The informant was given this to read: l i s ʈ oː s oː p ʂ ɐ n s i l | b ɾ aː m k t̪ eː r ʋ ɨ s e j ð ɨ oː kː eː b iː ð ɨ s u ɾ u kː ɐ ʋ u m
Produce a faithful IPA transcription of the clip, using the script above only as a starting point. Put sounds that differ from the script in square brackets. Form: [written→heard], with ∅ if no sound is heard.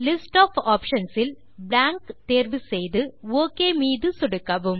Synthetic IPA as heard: l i s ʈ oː [s→f] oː p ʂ ɐ n s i l | b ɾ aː [m→ŋ] k t̪ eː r ʋ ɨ s e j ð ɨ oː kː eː [b→m] iː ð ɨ s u [ɾ→ɽ] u kː ɐ ʋ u m